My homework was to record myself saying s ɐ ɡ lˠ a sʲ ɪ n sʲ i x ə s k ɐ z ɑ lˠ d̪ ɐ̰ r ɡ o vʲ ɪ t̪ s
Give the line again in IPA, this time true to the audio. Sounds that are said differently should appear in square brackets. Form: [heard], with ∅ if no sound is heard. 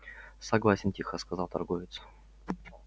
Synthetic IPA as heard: s ɐ ɡ lˠ a sʲ ɪ n [tʲ] i x ə s k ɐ z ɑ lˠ [t̪] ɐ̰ r ɡ o vʲ ɪ t̪ s